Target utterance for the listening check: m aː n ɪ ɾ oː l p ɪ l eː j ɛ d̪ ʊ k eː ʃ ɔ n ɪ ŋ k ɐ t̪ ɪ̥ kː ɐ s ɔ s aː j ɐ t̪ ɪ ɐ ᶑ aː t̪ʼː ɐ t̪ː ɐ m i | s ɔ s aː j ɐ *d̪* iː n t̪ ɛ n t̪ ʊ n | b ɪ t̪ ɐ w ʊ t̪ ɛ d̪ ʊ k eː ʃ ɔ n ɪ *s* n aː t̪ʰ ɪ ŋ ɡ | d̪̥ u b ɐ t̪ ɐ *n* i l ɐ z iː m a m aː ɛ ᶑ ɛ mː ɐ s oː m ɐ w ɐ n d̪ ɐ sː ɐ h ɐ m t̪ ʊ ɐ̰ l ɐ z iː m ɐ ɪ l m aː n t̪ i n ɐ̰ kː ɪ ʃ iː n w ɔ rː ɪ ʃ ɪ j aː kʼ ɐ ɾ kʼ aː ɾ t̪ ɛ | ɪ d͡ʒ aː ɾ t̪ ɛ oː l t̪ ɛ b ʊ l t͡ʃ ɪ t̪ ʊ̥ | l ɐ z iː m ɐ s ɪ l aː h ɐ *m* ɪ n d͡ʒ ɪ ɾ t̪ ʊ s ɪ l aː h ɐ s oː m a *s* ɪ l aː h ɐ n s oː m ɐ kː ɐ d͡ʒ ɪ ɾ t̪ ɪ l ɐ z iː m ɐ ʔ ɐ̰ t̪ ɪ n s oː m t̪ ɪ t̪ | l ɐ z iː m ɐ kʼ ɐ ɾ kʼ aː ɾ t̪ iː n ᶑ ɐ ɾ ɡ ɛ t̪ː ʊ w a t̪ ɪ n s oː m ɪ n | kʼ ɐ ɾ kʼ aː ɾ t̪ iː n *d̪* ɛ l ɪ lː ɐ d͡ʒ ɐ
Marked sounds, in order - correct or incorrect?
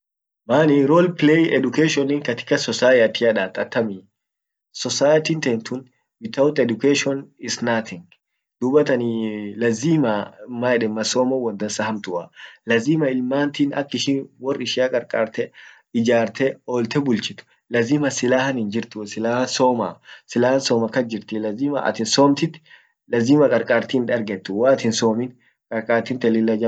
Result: incorrect: t̪, correct, correct, incorrect: n, correct, incorrect: t̪

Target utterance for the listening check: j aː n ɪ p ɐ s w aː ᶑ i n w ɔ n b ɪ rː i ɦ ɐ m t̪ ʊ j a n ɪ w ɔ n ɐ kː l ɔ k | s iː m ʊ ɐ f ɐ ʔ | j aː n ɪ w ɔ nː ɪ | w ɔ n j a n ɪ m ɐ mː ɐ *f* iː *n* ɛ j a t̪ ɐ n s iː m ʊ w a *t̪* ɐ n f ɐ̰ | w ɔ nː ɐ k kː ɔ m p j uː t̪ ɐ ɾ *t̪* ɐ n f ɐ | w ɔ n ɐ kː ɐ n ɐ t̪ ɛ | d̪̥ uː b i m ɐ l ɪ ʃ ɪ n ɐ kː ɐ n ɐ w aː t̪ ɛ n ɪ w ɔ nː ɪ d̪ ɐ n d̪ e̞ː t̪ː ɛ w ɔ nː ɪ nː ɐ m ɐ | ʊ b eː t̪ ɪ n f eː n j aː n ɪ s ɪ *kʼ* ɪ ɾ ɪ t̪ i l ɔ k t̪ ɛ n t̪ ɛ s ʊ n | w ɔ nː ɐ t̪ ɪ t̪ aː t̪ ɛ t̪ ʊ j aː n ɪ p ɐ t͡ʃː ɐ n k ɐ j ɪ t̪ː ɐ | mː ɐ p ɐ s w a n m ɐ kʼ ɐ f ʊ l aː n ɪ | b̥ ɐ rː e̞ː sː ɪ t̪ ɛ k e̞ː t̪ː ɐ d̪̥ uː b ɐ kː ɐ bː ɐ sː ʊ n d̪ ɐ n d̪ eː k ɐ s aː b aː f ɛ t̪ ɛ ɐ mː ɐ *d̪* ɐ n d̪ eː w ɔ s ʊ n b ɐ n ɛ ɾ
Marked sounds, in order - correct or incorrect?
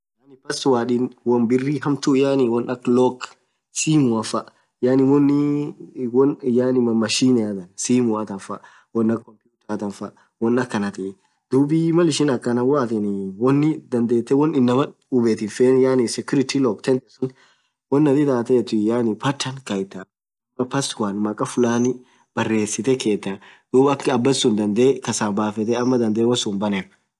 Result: incorrect: ʃ, correct, correct, correct, incorrect: k, correct

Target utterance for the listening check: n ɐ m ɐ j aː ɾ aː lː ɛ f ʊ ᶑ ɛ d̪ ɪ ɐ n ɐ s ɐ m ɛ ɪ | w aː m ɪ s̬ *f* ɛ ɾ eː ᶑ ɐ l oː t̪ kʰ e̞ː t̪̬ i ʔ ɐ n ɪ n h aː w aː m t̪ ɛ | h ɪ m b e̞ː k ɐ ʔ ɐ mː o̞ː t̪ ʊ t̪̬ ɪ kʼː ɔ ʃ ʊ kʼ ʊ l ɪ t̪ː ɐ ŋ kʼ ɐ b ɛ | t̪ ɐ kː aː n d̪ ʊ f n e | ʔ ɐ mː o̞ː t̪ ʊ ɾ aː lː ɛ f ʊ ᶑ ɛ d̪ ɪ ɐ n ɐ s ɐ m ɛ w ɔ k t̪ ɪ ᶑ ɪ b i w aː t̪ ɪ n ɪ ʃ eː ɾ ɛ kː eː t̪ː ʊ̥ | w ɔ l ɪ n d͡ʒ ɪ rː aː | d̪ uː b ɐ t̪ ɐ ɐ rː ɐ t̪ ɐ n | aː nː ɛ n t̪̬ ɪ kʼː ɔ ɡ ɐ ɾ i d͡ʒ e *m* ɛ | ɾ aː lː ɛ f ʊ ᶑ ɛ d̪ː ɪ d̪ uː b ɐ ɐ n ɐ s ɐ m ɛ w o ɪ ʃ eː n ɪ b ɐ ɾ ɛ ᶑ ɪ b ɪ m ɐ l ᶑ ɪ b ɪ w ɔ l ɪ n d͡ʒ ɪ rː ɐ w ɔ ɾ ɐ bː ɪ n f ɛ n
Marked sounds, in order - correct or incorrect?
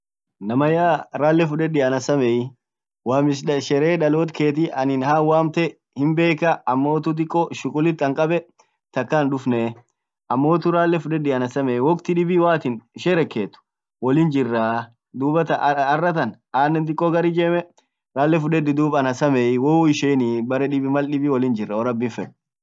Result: incorrect: ʃ, correct

